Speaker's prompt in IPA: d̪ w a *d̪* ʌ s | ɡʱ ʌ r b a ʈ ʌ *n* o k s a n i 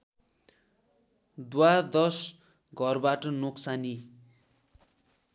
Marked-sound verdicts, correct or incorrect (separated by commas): correct, correct